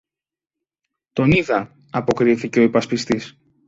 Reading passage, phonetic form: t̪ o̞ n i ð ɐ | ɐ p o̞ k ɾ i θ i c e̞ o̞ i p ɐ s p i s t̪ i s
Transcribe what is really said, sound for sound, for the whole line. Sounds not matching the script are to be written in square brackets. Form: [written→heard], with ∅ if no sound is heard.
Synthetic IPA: t̪ o̞ n i ð ɐ | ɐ p o̞ k ɾ i θ i c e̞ o̞ i p ɐ s p i s t̪ i s